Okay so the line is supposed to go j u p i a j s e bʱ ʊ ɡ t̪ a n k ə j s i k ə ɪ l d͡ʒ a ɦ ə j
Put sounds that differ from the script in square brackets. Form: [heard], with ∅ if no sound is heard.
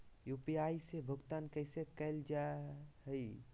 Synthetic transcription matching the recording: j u p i a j s e bʱ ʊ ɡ t̪ a n k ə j s [e] k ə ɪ l d͡ʒ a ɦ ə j